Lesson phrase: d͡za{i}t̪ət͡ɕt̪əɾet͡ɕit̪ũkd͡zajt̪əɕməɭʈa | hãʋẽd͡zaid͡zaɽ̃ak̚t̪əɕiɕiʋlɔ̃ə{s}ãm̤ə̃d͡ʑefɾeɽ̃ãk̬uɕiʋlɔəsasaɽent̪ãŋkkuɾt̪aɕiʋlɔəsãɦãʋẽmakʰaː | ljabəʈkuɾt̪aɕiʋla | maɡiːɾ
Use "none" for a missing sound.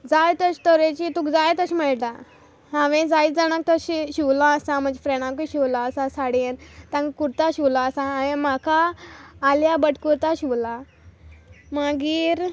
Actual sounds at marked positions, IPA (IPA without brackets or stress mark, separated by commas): j, s